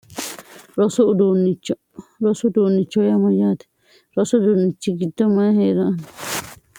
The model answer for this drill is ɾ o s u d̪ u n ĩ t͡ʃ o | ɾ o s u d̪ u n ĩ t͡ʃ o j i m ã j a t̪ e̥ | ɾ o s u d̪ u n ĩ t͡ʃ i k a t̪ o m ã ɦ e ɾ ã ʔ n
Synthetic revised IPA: ɾ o s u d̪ u n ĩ t͡ʃ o | ɾ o s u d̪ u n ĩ t͡ʃ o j a m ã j a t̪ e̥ | ɾ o s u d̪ u n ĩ t͡ʃ i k i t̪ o m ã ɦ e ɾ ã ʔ n